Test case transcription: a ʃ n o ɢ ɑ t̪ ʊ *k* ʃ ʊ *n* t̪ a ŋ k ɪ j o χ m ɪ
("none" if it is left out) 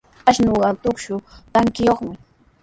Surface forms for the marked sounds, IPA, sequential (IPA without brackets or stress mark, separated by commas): k, none